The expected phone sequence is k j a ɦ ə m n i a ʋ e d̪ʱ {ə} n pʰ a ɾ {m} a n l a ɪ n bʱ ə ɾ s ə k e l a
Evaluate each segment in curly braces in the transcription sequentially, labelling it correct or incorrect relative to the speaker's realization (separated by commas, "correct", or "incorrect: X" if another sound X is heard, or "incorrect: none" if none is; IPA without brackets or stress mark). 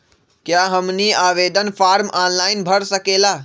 correct, correct